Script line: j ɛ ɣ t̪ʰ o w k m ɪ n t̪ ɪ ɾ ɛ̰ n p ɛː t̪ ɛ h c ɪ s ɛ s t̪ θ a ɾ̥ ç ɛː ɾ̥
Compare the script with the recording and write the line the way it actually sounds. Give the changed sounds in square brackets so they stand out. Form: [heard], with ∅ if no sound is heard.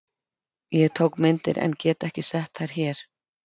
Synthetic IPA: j ɛ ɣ t̪ʰ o w k m ɪ n t̪ ɪ ɾ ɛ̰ n [c] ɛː t̪ ɛ h c ɪ s ɛ [h] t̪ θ a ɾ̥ ç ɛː ɾ̥